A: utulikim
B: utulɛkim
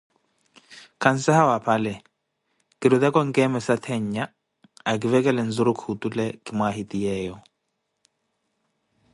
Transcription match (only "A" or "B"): B